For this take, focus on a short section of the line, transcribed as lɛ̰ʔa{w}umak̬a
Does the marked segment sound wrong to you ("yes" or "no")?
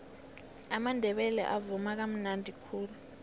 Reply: yes